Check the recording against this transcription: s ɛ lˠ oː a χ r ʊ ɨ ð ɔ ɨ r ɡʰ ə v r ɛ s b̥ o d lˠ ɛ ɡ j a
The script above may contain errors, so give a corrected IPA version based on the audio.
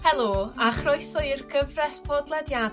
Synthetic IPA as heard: h ɛ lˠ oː a χ r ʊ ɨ θ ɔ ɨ r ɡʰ ə v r ɛ s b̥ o d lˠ ɛ d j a